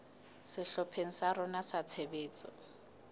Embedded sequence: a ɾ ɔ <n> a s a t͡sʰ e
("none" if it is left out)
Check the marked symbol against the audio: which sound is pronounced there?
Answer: n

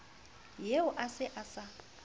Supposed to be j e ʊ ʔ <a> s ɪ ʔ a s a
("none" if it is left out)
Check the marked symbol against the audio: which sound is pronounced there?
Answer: a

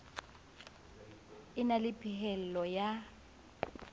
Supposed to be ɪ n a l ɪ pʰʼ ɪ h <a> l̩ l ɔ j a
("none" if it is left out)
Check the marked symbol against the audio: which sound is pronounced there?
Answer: ɛ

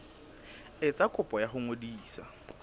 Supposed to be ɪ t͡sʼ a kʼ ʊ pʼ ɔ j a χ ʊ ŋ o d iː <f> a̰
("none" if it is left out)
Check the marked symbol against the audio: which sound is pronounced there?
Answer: s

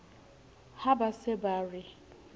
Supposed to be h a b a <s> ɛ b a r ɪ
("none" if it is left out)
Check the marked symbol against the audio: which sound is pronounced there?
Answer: s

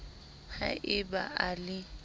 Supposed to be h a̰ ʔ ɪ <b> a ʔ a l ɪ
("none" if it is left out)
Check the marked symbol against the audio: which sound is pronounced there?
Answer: b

